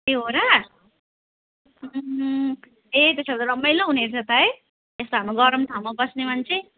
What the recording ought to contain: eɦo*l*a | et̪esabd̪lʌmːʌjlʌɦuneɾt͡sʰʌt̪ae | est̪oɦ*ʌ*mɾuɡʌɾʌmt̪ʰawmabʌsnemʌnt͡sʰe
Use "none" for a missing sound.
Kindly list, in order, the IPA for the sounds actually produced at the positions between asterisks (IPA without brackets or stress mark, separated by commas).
ɾ, a